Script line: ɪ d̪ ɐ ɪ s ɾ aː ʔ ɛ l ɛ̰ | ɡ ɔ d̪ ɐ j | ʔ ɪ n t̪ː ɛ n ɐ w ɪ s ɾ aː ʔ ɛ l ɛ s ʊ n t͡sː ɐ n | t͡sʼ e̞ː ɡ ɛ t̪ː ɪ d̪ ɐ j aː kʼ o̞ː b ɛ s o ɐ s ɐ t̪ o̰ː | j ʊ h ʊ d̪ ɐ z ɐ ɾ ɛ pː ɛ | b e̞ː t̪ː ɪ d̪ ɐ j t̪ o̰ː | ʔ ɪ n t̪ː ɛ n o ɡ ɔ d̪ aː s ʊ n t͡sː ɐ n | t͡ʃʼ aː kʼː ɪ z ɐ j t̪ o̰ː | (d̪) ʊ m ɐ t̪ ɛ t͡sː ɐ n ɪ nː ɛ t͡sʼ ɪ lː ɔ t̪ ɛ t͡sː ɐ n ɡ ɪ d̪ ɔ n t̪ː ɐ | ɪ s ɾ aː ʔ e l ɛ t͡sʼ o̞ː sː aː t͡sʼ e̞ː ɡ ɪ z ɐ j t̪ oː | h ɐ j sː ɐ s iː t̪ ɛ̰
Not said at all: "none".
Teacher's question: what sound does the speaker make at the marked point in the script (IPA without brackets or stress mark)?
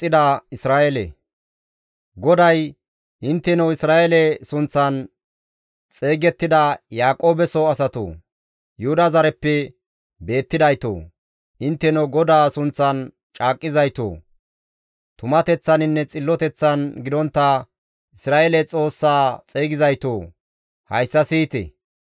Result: t̪